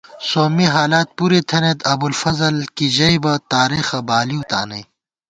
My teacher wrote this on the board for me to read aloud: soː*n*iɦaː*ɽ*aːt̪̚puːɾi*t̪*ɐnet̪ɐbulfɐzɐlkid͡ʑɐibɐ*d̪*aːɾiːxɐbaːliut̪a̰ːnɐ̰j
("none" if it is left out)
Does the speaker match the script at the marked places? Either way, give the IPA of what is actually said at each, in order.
m, l, t̪ʰ, t̪

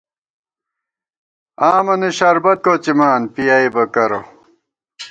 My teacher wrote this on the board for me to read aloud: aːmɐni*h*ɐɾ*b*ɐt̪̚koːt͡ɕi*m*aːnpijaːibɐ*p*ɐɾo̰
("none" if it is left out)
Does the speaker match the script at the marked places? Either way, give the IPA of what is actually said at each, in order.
ɕ, b, m, k

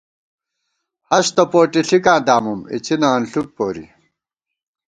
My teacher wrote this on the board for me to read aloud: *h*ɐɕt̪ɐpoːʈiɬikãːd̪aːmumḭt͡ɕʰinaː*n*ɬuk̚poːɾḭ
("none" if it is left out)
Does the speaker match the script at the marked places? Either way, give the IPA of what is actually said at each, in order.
h, n

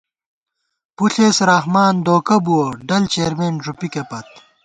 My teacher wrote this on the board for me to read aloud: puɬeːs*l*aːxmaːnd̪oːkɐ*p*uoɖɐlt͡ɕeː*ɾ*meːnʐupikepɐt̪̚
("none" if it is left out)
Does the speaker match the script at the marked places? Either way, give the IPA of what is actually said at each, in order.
ɾ, b, ɾ

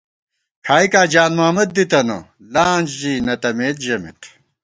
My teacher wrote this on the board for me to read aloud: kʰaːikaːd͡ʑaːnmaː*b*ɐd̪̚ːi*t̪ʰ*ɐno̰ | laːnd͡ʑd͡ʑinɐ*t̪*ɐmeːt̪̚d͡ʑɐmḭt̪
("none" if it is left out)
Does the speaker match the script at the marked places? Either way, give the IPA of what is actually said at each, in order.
m, t̪, t̪

